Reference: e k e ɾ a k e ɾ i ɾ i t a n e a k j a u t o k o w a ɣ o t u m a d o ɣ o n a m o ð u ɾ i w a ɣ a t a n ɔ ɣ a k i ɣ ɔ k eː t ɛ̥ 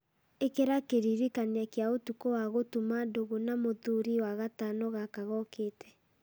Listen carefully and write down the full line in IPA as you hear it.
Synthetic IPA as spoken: e k e ɾ a k e ɾ i ɾ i k a n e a k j a o t u k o w a ɣ o t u m a d o ɣ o n a m o ð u ɾ i w a ɣ a t a n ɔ ɣ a k a ɣ ɔ k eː t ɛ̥